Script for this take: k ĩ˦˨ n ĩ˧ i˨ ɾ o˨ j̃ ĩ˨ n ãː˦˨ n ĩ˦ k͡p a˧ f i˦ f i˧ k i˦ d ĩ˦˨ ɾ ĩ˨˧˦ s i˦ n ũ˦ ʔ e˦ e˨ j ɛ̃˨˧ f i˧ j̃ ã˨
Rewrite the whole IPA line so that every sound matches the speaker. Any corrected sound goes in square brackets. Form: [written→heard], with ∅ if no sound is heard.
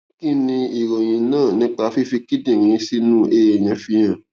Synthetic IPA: k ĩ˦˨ n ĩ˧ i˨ ɾ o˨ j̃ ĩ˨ n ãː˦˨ n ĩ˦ k͡p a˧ f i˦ f i˧ k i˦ d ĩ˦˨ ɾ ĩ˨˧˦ s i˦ n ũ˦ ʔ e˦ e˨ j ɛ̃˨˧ f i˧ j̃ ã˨